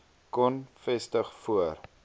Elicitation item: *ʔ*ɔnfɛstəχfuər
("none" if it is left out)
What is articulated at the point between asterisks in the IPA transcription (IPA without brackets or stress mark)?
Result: k